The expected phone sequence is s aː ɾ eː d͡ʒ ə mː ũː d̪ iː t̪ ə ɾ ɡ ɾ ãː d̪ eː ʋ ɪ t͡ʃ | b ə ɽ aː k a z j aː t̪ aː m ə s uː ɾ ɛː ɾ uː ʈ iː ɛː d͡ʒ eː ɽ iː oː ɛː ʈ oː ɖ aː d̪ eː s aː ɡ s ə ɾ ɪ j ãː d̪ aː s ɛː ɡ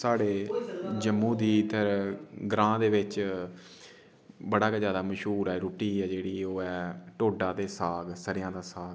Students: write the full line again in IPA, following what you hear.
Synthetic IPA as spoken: s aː ɽ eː d͡ʒ ə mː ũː d̪ iː t̪ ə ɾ ɡ ɾ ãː d̪ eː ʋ ɪ t͡ʃ | b ə ɽ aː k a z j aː d̪ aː m ə ʃ uː ɾ ɛː ɾ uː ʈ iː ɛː d͡ʒ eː ɽ iː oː ɛː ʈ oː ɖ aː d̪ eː s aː ɡ s ə ɾ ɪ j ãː d̪ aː s aː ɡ